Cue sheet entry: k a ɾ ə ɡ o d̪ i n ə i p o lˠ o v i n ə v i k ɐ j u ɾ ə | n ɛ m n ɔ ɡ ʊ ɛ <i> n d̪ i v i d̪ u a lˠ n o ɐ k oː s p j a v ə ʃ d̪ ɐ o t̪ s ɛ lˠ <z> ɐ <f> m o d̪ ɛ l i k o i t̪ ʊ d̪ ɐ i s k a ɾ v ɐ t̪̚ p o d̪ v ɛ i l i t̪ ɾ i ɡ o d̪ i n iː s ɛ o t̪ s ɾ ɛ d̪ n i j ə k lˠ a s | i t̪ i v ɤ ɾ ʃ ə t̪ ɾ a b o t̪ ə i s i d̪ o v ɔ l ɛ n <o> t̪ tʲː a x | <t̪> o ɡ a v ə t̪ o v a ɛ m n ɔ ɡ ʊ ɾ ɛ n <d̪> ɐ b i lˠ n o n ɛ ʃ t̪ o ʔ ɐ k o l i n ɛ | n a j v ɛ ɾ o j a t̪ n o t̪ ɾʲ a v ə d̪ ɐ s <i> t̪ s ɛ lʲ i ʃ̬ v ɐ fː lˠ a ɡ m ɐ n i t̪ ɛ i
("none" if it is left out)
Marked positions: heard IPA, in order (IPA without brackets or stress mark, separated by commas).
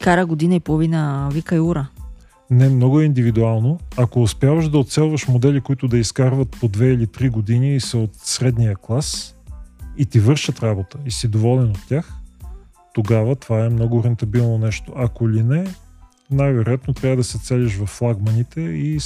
i, v, ʃ, o, t̪, t̪, ɛ